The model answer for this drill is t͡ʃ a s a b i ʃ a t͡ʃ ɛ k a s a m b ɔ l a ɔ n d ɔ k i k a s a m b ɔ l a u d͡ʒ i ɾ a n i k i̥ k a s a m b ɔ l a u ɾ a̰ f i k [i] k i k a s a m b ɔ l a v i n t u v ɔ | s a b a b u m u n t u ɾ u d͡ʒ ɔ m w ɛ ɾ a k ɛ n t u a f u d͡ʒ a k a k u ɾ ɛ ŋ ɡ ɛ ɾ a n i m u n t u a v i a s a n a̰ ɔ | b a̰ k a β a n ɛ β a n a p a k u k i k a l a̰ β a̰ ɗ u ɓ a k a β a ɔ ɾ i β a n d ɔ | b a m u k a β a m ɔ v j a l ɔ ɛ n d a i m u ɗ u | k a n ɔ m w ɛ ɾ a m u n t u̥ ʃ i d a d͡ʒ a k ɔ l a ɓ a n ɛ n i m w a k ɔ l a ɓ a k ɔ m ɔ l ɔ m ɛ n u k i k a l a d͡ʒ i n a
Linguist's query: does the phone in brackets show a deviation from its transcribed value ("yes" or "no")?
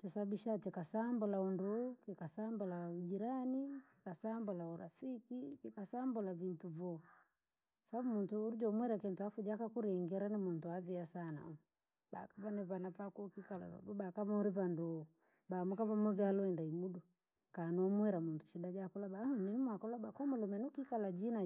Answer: no